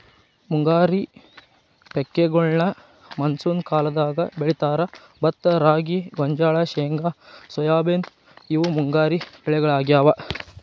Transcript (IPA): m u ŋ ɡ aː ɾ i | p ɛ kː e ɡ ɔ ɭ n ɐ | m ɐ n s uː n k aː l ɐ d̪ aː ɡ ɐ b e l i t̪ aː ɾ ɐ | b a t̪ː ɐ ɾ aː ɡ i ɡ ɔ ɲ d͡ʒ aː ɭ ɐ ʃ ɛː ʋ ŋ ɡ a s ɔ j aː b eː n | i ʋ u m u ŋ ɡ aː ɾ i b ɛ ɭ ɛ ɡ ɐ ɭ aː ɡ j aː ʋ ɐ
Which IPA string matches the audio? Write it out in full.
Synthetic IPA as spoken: m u ŋ ɡ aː ɾ i | p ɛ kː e ɡ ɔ ɭ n ɐ | m ɐ n s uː n k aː l ɐ d̪ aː ɡ ɐ b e ɭ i t̪ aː ɾ ɐ | b ɐ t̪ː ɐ ɾ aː ɡ i ɡ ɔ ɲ d͡ʒ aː ɭ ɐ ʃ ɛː ŋ ɡ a s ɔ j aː b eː n | i ʋ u m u ŋ ɡ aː ɾ i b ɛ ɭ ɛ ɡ ɐ ɭ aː ɡ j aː ʋ ɐ